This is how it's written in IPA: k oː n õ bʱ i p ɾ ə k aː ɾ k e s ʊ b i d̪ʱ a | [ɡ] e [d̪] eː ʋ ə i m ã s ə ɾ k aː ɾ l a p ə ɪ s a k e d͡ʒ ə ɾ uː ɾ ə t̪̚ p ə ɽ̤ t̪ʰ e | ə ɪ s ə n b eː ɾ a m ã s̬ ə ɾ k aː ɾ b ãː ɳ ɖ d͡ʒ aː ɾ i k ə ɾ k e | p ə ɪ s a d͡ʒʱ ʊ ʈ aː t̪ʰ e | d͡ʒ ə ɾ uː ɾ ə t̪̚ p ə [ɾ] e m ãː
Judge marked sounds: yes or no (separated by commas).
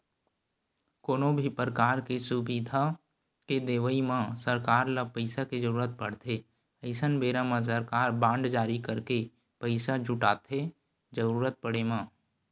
no, yes, no